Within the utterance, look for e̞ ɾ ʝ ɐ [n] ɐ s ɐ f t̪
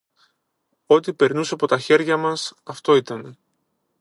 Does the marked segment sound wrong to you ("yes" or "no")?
yes